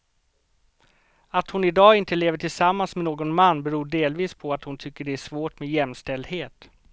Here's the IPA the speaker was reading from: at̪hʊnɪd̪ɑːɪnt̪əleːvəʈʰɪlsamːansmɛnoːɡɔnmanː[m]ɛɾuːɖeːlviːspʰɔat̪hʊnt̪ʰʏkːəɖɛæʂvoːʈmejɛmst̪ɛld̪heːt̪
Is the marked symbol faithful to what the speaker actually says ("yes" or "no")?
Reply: no